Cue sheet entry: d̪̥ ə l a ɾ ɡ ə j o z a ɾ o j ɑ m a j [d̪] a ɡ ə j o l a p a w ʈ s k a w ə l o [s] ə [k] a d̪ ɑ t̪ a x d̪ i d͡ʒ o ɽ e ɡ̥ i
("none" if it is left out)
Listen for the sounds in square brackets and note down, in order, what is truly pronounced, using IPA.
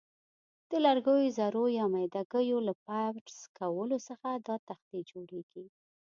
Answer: d̪, s, x

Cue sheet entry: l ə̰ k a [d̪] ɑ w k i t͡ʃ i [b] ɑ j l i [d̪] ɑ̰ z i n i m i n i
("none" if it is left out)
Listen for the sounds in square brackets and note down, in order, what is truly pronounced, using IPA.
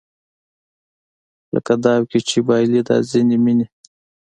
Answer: d̪, b, d̪

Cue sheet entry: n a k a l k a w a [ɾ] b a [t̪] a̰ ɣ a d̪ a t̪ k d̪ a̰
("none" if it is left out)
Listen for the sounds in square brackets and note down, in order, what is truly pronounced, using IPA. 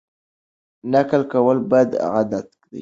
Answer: l, d̪

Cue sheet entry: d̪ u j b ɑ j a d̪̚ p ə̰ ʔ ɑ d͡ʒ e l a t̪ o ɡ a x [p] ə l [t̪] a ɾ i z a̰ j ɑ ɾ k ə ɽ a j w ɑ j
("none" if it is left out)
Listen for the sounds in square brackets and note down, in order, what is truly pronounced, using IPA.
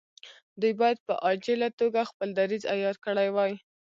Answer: p, d̪

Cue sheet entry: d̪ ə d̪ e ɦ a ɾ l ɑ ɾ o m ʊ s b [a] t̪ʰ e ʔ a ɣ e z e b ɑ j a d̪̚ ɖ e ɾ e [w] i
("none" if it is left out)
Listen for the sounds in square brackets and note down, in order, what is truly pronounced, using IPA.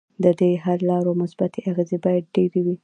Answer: a, w

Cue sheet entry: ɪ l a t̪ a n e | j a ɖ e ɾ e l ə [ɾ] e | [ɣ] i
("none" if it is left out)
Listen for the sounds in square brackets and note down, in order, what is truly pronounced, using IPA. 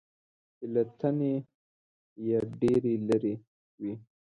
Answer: ɾ, w

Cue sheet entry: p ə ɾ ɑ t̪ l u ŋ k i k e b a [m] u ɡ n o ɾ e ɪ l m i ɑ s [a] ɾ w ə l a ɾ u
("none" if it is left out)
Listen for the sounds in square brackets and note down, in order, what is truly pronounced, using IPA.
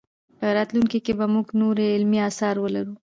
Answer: m, ɑ

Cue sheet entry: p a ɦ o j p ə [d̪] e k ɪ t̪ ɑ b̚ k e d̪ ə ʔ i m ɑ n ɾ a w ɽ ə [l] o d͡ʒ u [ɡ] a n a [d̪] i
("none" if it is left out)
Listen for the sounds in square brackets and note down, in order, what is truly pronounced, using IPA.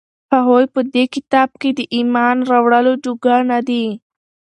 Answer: d̪, l, ɡ, d̪

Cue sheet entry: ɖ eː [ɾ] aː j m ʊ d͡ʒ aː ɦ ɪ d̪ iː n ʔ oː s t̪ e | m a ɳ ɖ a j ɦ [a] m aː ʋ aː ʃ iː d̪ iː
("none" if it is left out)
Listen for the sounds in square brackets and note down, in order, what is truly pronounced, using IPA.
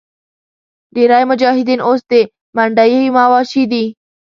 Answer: ɾ, i

